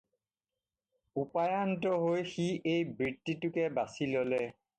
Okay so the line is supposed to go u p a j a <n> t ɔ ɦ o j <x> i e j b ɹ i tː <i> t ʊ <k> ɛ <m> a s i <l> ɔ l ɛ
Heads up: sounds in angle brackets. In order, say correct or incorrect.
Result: correct, correct, correct, correct, incorrect: b, correct

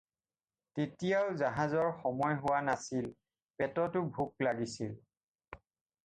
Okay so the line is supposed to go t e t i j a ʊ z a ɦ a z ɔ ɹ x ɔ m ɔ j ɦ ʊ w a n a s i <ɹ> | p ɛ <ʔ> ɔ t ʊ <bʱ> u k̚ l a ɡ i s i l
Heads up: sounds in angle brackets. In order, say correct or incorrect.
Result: incorrect: l, incorrect: t, correct

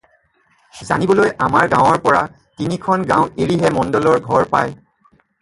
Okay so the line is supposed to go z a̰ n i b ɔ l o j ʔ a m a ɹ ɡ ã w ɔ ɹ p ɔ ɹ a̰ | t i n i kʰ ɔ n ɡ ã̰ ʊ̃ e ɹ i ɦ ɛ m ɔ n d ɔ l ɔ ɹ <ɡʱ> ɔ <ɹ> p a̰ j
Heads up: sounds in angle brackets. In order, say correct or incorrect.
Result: correct, correct

